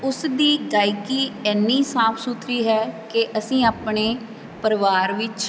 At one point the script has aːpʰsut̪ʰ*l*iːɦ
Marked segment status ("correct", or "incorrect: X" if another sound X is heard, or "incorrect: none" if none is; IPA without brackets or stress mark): incorrect: ɾ